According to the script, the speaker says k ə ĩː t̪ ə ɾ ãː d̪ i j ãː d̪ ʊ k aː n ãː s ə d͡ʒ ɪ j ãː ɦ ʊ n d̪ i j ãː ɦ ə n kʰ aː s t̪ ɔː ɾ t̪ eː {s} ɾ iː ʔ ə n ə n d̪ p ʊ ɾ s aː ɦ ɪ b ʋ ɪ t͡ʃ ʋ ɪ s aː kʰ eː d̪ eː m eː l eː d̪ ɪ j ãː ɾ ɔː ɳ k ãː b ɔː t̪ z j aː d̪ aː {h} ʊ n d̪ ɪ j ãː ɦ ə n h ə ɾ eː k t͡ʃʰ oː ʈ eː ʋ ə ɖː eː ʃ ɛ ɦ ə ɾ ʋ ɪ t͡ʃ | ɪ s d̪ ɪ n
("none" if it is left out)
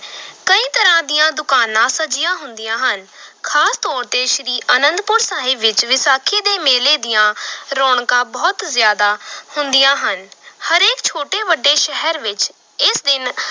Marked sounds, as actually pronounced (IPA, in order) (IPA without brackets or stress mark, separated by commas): ʃ, h